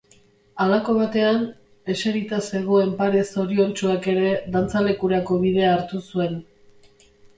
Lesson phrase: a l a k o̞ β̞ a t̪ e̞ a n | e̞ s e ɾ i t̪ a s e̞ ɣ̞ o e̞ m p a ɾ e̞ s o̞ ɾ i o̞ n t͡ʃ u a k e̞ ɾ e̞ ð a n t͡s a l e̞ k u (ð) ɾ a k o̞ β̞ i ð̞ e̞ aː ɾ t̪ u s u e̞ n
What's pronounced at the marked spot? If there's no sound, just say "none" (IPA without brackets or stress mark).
none